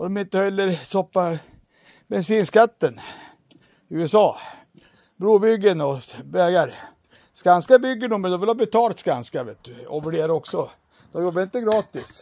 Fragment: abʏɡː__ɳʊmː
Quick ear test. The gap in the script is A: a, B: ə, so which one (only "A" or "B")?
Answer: B